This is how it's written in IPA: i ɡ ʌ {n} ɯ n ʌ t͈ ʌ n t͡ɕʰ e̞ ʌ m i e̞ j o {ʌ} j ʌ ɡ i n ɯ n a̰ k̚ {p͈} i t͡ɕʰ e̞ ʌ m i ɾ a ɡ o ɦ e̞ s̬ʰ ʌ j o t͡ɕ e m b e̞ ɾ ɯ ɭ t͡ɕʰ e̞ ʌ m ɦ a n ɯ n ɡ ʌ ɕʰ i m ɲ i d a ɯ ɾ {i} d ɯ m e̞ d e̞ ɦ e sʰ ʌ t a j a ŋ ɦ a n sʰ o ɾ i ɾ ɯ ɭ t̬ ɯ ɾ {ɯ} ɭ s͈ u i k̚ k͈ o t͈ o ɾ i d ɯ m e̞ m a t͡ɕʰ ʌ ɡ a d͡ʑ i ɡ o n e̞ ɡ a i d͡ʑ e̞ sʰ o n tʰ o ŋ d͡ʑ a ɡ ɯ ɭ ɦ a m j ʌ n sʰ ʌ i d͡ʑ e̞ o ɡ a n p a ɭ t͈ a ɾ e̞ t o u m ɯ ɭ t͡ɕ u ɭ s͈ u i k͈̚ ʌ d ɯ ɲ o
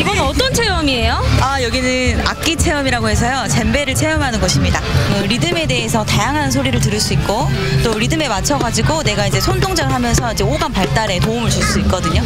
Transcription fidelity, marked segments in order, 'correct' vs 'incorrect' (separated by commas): correct, incorrect, incorrect, correct, correct